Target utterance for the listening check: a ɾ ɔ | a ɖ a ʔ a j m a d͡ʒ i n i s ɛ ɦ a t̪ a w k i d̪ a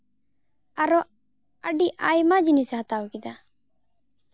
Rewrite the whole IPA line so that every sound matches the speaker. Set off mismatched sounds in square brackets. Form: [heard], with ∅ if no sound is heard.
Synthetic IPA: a ɾ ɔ | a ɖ [i] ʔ a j m a d͡ʒ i n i s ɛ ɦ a t̪ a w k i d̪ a